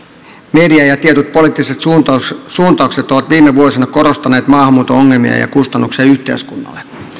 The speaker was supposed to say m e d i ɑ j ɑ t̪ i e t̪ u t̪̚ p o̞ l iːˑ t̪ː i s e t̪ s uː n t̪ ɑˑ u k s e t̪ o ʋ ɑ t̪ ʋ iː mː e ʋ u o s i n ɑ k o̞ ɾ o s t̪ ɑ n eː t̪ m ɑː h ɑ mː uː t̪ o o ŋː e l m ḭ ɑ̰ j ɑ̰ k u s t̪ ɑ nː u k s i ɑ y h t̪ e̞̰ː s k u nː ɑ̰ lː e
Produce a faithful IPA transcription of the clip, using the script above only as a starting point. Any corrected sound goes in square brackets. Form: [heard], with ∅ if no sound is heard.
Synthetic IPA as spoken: m e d i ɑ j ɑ t̪ i e t̪ u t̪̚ p o̞ l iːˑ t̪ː i s e t̪ s uː n t̪ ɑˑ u k s e t̪ o ʋ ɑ t̪ ʋ iː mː e ʋ u o s i n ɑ k o̞ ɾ o s t̪ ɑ n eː t̪ m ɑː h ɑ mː uː t̪ o o ŋː e l m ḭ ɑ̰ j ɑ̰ k u s t̪ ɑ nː u k s i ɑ y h t̪ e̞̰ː s k u nː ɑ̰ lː e